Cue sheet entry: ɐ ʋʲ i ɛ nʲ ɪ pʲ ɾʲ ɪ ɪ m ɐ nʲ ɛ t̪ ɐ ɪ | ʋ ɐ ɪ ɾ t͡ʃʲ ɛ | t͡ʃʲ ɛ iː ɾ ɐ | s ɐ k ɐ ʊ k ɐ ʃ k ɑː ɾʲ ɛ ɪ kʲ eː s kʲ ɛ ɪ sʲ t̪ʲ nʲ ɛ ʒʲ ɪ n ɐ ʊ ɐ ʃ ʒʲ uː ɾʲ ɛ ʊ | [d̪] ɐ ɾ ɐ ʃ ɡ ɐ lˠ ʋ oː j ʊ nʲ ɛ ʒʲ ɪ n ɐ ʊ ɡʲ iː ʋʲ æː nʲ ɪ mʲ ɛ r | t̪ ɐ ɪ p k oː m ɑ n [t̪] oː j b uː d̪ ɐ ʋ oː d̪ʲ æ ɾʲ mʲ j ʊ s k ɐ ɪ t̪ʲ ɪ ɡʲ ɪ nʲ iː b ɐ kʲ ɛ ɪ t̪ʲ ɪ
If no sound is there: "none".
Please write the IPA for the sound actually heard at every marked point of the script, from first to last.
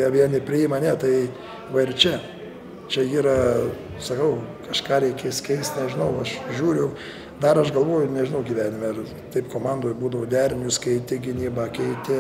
d̪, d̪

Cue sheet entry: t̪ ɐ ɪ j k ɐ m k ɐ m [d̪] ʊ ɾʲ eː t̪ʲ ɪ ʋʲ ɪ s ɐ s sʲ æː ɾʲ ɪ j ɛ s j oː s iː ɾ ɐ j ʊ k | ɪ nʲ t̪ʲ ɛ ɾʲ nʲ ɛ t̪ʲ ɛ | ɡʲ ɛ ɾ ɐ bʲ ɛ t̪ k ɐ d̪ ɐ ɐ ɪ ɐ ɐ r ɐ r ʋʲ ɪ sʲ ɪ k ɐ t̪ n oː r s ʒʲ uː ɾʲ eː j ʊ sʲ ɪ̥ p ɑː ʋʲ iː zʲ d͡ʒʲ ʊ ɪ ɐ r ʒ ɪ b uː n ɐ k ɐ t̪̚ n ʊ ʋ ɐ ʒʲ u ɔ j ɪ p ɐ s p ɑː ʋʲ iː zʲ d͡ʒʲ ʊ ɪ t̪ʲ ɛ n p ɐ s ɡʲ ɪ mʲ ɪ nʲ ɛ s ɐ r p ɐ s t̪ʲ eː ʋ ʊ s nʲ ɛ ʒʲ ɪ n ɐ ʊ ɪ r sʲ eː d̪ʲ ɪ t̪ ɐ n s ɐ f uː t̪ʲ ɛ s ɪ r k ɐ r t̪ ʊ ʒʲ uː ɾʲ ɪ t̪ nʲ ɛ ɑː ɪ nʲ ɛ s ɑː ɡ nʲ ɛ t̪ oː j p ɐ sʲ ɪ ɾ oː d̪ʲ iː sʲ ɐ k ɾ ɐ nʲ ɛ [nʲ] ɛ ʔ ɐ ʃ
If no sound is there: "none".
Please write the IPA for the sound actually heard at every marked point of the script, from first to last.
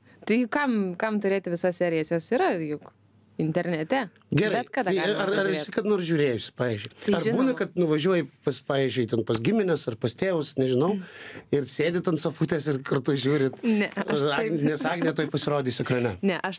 t̪, nʲ

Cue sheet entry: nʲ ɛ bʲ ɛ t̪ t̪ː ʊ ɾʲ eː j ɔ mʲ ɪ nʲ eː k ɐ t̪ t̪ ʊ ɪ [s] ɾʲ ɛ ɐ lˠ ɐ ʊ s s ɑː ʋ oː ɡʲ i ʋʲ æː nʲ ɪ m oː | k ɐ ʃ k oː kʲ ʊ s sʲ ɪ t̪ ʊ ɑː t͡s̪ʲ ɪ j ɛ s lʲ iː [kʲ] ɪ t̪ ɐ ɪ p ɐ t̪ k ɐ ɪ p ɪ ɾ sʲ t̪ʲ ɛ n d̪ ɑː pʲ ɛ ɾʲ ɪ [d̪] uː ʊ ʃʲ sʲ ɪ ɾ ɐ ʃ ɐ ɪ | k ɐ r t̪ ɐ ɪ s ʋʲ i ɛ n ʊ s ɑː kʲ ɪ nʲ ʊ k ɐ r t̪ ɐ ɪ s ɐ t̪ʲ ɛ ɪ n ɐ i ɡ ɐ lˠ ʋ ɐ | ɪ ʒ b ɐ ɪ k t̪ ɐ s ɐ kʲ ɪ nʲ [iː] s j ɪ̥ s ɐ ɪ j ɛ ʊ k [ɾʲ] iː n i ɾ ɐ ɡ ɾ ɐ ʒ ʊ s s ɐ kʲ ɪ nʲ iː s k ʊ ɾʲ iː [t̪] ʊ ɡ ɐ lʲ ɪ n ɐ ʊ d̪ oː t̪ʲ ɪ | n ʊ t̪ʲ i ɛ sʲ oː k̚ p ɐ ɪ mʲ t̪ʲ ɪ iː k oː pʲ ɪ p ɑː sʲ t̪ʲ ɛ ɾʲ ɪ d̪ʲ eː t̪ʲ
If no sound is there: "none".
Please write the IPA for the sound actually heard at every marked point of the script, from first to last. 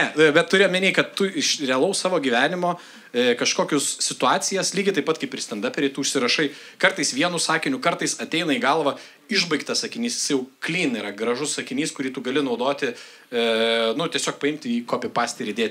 ʃ, ɡʲ, t̪, iː, lʲ, t̪

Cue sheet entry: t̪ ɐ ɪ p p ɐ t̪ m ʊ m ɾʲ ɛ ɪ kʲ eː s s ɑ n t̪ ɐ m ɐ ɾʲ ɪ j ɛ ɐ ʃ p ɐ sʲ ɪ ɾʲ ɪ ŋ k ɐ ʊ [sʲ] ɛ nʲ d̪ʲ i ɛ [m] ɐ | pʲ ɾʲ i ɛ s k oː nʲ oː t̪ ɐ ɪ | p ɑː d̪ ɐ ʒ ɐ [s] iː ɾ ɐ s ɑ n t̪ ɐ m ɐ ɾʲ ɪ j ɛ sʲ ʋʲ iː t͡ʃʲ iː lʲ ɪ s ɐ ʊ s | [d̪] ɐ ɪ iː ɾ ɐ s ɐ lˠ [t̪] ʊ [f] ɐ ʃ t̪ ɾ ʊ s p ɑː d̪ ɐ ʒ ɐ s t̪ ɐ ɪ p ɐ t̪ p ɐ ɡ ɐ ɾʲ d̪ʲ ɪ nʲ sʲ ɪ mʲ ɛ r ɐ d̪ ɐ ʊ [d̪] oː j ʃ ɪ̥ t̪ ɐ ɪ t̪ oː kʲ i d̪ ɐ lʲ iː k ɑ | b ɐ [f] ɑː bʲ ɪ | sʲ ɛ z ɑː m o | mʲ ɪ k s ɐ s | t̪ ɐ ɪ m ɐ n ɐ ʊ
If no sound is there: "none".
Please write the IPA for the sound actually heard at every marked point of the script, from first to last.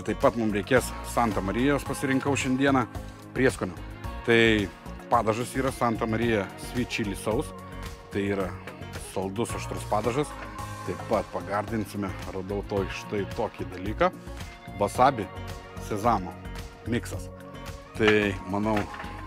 ʃʲ, n, s, t̪, d̪, s, t̪, s

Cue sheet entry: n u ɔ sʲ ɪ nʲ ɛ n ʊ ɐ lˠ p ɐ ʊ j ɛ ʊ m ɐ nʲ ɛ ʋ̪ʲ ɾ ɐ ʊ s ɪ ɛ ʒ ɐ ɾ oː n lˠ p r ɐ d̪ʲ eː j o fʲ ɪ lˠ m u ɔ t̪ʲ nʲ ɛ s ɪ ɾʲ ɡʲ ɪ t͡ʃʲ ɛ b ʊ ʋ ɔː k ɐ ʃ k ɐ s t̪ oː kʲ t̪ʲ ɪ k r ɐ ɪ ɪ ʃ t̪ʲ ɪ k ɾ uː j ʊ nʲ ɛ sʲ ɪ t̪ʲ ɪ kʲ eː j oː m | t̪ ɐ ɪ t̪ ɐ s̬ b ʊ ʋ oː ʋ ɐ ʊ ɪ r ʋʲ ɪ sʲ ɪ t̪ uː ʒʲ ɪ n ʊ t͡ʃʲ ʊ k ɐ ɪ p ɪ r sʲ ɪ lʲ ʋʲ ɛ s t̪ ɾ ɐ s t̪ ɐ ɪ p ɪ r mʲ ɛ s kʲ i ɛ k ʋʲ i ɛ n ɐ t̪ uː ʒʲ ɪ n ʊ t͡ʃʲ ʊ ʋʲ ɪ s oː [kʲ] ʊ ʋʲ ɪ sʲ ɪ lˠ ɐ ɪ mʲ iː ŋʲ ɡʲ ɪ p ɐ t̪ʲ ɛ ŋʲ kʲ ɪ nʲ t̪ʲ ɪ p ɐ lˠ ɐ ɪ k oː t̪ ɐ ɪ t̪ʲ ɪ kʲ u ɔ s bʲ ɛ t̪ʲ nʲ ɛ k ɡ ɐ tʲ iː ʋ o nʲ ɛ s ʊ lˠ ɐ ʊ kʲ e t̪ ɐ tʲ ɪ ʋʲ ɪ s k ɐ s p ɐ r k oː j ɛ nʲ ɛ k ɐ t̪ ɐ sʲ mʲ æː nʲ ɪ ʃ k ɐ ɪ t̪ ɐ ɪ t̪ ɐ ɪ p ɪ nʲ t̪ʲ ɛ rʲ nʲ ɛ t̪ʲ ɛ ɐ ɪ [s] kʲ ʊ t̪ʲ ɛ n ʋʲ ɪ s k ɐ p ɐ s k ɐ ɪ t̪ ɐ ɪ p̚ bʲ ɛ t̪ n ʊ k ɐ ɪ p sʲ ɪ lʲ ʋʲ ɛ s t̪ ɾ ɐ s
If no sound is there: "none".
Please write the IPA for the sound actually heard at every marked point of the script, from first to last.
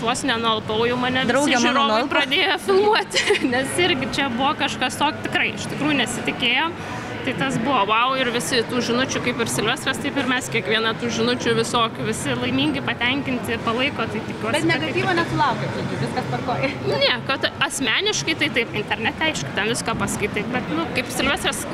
kʲ, ʃ

